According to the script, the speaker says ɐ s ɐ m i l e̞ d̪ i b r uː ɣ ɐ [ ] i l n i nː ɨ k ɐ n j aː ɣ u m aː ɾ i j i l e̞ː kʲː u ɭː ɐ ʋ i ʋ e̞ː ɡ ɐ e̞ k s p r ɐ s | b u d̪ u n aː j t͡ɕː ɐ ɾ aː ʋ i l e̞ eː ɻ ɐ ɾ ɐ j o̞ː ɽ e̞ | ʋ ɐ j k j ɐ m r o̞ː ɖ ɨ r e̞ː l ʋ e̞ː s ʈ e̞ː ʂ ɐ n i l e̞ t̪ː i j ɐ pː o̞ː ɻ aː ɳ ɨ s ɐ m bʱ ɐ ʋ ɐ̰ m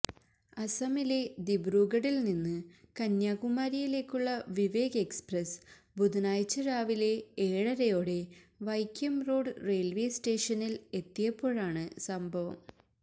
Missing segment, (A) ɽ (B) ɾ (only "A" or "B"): A